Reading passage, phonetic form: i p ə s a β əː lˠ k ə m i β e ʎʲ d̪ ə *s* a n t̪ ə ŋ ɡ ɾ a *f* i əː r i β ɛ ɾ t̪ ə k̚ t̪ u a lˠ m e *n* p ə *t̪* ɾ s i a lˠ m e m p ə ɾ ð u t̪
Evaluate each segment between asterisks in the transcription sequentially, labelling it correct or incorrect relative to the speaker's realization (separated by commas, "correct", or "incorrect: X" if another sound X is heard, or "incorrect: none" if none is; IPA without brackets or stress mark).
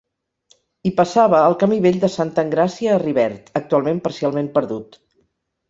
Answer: correct, incorrect: s, incorrect: m, incorrect: none